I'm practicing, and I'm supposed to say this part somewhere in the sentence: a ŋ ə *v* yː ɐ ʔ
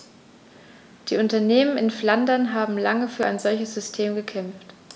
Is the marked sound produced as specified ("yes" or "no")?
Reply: no